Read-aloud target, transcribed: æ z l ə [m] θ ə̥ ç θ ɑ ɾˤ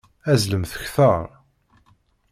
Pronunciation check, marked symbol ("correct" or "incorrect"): correct